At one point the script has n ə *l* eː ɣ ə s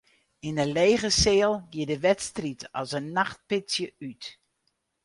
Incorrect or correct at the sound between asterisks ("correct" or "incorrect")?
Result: correct